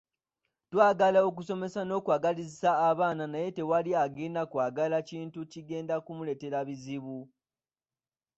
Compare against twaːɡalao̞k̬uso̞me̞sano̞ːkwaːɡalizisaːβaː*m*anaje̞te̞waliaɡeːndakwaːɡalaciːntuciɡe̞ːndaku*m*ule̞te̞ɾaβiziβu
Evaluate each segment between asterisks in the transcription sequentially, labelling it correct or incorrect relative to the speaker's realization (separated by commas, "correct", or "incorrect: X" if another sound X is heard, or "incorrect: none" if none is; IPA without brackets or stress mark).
incorrect: n, correct